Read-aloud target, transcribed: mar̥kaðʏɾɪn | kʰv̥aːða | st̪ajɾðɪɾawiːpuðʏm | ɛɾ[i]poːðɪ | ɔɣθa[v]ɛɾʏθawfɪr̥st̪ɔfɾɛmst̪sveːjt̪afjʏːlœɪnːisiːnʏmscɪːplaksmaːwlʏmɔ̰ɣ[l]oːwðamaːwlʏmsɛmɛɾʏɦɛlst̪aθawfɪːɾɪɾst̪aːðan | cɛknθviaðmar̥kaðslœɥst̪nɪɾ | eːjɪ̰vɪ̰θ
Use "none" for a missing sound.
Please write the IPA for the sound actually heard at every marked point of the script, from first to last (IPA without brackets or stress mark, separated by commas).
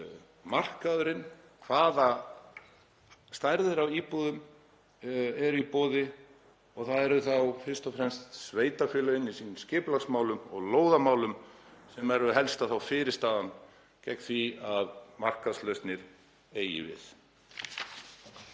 i, ð, l